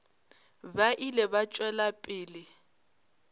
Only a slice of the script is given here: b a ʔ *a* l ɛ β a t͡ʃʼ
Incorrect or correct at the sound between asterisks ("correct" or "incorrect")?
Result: incorrect